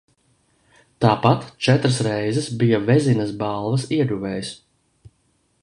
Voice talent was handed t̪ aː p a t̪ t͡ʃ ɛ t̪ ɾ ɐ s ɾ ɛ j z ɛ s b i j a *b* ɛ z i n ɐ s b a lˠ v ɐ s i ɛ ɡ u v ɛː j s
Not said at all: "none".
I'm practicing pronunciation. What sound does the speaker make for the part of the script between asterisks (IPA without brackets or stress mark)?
v